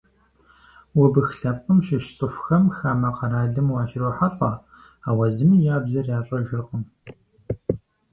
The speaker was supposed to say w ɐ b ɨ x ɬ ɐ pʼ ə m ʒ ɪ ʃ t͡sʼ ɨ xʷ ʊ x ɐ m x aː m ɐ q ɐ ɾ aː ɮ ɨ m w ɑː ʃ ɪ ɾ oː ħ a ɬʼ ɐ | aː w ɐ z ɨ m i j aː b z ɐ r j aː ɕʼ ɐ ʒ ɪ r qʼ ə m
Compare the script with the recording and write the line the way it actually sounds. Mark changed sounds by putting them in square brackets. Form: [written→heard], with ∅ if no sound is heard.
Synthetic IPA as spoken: w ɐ b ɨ x ɬ ɐ pʼ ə m [ʒ→ʃ] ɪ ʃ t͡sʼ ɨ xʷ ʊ x ɐ m x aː m ɐ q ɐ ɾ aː ɮ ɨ m w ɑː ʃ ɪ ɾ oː ħ a ɬʼ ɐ | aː w ɐ z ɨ m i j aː b z ɐ r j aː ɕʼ ɐ ʒ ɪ r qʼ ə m

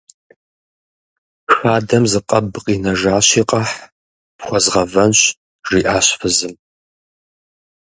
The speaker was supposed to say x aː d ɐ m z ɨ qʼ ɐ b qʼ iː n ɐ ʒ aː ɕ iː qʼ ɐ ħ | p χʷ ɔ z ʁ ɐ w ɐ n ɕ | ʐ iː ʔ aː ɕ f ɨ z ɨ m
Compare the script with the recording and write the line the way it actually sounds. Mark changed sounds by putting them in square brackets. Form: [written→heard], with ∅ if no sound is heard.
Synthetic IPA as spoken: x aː d ɐ m z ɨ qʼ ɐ b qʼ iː n ɐ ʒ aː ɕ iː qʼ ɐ ħ | p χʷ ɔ z ʁ ɐ [w→v] ɐ n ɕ | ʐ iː ʔ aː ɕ f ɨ z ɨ m

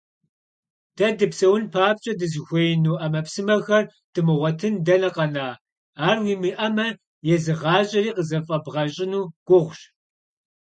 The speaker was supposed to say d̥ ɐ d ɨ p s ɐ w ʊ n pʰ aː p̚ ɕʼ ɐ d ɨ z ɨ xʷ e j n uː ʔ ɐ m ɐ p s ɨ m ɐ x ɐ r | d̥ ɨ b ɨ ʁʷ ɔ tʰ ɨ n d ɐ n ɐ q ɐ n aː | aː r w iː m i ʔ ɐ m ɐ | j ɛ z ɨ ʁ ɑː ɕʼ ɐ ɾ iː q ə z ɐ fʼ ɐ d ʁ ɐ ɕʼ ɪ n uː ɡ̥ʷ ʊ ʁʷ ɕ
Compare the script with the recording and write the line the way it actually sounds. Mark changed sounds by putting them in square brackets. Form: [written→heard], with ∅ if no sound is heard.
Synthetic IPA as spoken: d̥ ɐ d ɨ p s ɐ w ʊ n pʰ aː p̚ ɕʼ ɐ d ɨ z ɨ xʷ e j n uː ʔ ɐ m ɐ p s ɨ m ɐ x ɐ r | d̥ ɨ [b→m] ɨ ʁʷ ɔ tʰ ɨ n d ɐ n ɐ q ɐ n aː | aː r w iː m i ʔ ɐ m ɐ | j ɛ z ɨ ʁ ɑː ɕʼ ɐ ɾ iː q ə z ɐ fʼ ɐ [d→b] ʁ ɐ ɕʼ ɪ n uː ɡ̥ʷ ʊ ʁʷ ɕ

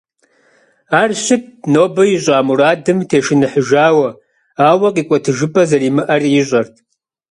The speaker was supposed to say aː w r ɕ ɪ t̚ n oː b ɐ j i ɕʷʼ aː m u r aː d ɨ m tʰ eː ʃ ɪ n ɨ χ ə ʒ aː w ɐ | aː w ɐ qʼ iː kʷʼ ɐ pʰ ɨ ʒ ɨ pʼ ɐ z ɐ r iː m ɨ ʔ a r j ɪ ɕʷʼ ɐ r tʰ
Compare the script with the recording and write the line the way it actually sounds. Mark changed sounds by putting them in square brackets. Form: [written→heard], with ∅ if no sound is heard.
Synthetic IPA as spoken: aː [w→∅] r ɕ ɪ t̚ n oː b ɐ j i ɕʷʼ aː m u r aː d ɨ m tʰ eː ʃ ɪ n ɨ [χ→ħ] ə ʒ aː w ɐ | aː w ɐ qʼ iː kʷʼ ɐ [pʰ→tʰ] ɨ ʒ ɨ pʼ ɐ z ɐ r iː m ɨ ʔ [a→ɐ] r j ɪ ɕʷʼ ɐ r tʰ

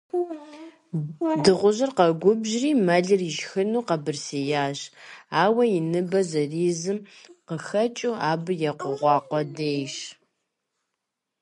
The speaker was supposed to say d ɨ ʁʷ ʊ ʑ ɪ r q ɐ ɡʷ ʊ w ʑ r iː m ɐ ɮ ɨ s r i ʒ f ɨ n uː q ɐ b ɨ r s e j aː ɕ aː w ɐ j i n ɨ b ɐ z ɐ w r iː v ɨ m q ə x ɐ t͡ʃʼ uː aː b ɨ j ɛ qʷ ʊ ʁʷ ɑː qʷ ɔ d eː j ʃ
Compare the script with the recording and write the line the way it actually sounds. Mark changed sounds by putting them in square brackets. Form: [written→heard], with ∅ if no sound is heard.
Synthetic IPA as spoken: d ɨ ʁʷ ʊ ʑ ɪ r q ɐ ɡʷ ʊ [w→b] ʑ r iː m ɐ ɮ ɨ [s→∅] r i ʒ [f→x] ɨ n uː q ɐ b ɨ r s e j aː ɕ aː w ɐ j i n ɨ b ɐ z ɐ [w→∅] r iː [v→z] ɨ m q ə x ɐ t͡ʃʼ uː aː b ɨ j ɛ qʷ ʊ ʁʷ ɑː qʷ ɔ d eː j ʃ

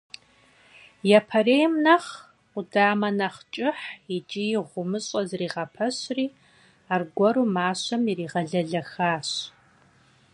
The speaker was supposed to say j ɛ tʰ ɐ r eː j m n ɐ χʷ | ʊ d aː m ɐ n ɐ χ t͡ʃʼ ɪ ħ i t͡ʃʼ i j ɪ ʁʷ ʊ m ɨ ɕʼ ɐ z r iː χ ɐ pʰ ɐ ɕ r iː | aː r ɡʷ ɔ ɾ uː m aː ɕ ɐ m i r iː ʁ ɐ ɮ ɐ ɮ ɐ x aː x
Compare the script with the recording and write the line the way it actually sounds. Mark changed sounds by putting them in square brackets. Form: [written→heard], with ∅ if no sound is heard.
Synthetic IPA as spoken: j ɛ [tʰ→pʰ] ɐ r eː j m n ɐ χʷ | ʊ d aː m ɐ n ɐ χ t͡ʃʼ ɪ ħ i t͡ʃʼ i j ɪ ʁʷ ʊ m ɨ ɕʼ ɐ z r iː [χ→ʁ] ɐ pʰ ɐ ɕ r iː | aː r ɡʷ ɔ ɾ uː m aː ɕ ɐ m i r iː ʁ ɐ ɮ ɐ ɮ ɐ x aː [x→ɕ]

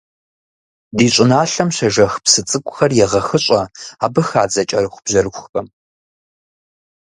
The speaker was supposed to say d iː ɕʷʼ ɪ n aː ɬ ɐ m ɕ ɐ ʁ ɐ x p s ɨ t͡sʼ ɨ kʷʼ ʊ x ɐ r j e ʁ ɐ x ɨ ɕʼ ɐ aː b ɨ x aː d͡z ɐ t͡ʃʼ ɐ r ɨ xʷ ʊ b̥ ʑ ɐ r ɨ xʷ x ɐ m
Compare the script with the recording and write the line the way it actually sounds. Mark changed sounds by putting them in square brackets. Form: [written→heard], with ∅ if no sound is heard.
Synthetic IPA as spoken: d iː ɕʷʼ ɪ n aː ɬ ɐ m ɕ ɐ [ʁ→ʒ] ɐ x p s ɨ t͡sʼ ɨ kʷʼ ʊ x ɐ r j [e→ɛ] ʁ ɐ x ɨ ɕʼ ɐ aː b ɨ x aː d͡z ɐ t͡ʃʼ ɐ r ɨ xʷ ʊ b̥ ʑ ɐ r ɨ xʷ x ɐ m

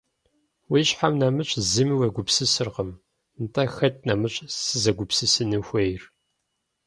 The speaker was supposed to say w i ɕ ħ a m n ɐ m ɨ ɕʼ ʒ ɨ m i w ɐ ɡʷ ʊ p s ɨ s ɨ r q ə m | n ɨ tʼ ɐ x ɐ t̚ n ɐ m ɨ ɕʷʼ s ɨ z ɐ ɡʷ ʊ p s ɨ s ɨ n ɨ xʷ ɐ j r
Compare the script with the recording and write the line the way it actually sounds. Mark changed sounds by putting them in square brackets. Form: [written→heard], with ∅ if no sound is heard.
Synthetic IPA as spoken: w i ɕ ħ a m n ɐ m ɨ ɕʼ [ʒ→z] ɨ m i w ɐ ɡʷ ʊ p s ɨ s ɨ r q ə m | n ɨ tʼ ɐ x ɐ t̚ n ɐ m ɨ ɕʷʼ s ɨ z ɐ ɡʷ ʊ p s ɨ s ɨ n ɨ xʷ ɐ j r

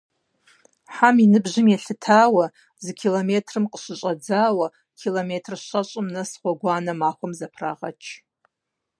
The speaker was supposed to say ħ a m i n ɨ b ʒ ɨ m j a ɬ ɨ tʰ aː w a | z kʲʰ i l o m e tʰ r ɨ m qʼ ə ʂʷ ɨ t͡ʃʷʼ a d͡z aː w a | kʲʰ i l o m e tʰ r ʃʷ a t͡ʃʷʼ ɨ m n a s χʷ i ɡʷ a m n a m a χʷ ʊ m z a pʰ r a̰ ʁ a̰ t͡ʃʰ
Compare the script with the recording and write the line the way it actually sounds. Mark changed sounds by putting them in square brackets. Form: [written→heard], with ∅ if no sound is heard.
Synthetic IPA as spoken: ħ a m i n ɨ b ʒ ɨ m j a ɬ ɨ tʰ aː w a | z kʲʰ i l o m e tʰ r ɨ m qʼ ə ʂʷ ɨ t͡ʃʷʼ a d͡z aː w a | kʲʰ i l o m e tʰ r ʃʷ a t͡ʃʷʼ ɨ m n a s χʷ [i→a] ɡʷ a [m→∅] n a m a χʷ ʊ m z a pʰ r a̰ ʁ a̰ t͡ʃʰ

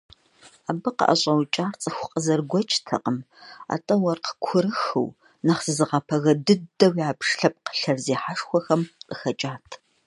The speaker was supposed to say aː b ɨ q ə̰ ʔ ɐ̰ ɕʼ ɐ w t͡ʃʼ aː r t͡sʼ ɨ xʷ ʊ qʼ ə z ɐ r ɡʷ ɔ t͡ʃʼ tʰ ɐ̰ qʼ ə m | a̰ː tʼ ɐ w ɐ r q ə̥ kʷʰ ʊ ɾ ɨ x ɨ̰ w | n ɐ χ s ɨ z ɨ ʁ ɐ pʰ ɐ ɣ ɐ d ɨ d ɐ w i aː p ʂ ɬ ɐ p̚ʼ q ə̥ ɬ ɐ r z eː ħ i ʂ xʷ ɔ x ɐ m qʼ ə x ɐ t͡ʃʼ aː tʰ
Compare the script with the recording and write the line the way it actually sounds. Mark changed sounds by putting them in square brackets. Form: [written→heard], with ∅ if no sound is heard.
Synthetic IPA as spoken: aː b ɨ q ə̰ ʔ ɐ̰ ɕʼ ɐ w t͡ʃʼ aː r t͡sʼ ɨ xʷ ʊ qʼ ə z ɐ r ɡʷ ɔ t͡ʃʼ tʰ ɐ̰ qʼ ə m | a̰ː tʼ ɐ w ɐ r q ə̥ kʷʰ ʊ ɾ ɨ x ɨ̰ w | n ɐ χ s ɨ z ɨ ʁ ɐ pʰ ɐ ɣ ɐ d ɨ d ɐ w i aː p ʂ ɬ ɐ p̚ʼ q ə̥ ɬ ɐ r z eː ħ [i→a] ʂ xʷ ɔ x ɐ m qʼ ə x ɐ t͡ʃʼ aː tʰ

